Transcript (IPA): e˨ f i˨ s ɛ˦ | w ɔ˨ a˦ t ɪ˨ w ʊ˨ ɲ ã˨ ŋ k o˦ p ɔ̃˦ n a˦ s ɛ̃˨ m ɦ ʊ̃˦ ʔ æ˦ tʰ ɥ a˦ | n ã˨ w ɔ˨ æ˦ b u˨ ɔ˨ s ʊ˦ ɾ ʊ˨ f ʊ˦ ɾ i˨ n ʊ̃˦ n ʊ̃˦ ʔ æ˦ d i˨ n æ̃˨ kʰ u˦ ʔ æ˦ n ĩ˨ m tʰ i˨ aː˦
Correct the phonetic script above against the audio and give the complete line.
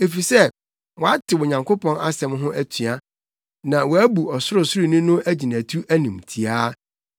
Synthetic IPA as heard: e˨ f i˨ s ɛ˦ | w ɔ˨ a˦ t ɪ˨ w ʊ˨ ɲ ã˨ ŋ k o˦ p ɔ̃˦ n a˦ s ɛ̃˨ m ɦ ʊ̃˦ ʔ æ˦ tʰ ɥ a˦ | n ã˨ w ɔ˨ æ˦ b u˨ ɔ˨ s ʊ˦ ɾ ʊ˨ s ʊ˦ ɾ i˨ n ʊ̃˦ n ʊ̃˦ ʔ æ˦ d͡ʑ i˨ n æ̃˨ tʰ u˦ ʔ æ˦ n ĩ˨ m tʰ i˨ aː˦